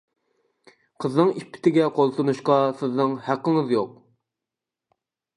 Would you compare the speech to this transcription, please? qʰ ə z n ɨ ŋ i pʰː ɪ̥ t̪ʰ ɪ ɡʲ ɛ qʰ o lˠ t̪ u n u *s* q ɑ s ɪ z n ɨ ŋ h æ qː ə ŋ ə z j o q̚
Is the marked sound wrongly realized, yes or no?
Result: yes